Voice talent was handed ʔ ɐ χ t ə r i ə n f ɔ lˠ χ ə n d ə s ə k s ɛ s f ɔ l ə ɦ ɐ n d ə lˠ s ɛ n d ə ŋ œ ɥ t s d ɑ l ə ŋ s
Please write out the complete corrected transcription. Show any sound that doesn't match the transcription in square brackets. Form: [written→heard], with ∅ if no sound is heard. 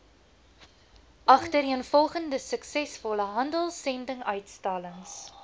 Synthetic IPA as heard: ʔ ɐ χ t ə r i ə n f ɔ lˠ χ ə n d ə s ə k s ɛ s f ɔ l ə ɦ ɐ n d ə lˠ s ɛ n d ə ŋ œ ɥ t s [d→t] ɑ l ə ŋ s